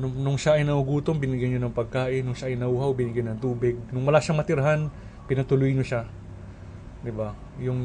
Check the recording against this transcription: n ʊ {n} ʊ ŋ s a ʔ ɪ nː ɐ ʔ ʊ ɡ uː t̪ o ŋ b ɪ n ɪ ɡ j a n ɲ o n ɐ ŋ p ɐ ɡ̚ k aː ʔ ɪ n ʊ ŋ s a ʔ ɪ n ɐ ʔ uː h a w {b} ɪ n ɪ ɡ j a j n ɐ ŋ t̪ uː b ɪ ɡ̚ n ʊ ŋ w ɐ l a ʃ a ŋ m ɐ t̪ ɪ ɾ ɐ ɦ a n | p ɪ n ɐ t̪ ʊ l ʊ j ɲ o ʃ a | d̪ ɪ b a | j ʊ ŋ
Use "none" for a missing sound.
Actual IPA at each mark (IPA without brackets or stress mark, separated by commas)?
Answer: n, b